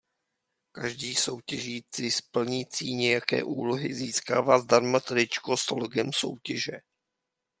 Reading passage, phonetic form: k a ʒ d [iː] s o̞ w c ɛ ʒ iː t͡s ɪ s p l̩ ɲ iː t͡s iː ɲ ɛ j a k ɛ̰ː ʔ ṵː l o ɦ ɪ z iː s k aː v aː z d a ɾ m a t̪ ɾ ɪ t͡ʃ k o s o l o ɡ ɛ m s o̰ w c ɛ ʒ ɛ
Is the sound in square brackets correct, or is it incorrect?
correct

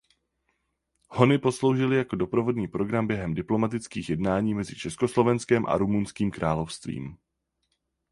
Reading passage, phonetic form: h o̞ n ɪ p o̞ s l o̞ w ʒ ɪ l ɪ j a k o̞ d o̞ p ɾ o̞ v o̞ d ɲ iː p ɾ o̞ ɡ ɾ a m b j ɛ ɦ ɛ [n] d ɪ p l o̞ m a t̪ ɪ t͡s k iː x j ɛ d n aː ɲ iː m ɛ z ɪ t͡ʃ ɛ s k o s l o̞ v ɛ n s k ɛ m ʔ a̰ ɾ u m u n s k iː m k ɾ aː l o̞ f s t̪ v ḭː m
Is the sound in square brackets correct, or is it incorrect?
incorrect: m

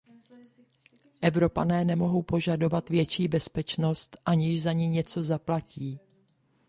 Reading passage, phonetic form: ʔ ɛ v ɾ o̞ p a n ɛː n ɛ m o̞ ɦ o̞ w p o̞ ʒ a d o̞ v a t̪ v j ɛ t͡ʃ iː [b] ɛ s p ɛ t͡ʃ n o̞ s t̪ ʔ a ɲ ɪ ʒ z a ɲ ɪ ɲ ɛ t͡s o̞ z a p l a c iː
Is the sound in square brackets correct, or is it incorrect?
correct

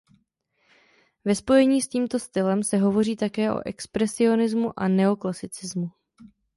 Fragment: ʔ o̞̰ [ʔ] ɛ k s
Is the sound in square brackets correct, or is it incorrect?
correct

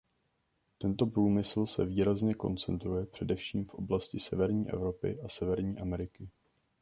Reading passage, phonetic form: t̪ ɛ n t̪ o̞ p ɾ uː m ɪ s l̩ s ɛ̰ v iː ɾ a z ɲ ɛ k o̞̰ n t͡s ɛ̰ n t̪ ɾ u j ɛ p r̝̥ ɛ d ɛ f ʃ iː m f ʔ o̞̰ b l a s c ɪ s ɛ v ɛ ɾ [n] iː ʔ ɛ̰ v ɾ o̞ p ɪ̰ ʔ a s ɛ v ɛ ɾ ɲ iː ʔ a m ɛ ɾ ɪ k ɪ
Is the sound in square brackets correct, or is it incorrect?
incorrect: ɲ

